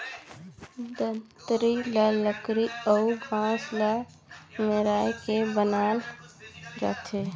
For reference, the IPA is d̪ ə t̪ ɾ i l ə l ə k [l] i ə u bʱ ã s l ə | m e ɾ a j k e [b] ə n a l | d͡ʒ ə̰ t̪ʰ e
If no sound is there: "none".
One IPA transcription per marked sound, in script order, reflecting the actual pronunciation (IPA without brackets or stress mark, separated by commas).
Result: ɾ, b